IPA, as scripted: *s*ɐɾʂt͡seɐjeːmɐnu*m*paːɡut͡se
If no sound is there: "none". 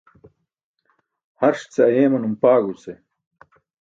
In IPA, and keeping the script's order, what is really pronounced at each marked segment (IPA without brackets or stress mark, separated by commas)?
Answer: h, m